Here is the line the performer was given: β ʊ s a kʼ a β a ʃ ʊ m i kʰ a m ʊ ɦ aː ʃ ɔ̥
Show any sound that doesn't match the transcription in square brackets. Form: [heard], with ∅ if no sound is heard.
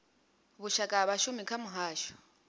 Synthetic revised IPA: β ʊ [ʃ] a kʼ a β a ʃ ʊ m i kʰ a m ʊ ɦ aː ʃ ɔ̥